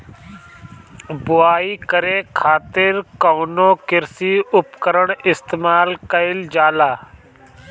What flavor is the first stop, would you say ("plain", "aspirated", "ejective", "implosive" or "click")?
plain